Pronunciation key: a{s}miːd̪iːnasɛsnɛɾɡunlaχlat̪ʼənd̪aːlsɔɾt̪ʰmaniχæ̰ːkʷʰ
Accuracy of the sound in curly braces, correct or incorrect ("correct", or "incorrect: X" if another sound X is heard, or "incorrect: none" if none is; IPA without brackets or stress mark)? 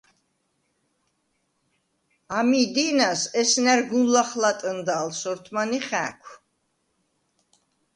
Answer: incorrect: none